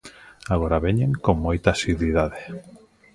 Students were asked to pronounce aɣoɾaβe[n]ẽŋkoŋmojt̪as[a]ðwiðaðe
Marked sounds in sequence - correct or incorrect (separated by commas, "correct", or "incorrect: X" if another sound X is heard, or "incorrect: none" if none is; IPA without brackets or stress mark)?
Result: incorrect: ɲ, incorrect: i